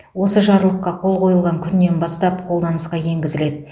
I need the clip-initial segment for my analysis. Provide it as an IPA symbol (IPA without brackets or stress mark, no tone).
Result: w